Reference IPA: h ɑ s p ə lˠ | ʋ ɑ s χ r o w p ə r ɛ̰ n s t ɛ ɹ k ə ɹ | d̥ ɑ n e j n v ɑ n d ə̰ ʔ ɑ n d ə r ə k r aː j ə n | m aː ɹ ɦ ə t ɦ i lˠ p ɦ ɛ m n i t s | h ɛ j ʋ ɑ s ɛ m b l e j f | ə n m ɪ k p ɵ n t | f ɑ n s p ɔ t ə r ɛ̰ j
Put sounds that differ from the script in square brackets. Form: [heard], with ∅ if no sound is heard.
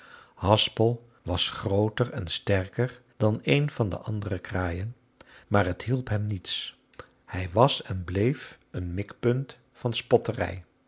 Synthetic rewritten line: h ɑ s p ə lˠ | ʋ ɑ s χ r o w [t] ə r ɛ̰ n s t ɛ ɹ k ə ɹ | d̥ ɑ n e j n v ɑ n d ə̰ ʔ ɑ n d ə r ə k r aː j ə n | m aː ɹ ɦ ə t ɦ i lˠ p ɦ ɛ m n i t s | h ɛ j ʋ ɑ s ɛ [n] b l e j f | ə n m ɪ k p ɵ n t | f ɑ n s p ɔ t ə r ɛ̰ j